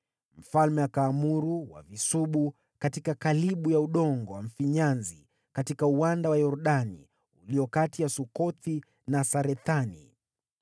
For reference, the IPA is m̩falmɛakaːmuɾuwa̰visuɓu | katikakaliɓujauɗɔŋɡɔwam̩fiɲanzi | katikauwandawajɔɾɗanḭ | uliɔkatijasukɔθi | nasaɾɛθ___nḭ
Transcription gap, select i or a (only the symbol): a